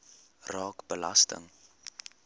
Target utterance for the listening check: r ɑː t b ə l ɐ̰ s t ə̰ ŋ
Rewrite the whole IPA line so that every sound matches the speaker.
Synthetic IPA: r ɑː k b ə l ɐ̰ s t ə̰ ŋ